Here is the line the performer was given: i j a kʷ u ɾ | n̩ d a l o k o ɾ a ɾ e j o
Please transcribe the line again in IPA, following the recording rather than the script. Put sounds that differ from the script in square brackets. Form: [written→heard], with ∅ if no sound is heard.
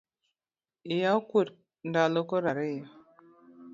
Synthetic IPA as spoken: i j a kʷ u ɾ | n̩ d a l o k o ɾ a ɾ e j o